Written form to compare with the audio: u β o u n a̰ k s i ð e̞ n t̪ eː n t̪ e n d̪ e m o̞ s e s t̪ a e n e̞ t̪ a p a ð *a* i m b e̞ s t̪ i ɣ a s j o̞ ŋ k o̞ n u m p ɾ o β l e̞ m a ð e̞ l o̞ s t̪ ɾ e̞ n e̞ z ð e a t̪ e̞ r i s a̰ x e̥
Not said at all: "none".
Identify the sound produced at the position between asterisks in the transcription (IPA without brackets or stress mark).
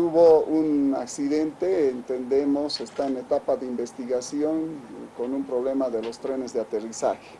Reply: e